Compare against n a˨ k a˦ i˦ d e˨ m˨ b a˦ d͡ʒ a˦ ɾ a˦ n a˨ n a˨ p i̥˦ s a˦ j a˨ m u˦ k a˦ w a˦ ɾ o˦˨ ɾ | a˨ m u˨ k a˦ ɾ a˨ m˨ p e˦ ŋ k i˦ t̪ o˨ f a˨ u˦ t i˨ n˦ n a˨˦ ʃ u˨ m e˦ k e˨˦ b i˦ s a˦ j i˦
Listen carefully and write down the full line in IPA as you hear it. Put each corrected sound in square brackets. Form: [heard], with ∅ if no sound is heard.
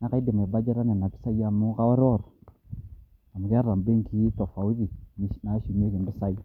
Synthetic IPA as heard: n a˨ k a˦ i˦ d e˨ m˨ b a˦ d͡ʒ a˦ ɾ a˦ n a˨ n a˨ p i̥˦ s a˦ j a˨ m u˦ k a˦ w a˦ ɾ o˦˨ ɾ | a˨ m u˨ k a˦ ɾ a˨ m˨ [b] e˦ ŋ k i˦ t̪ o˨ f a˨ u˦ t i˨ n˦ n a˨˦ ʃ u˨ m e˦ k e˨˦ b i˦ s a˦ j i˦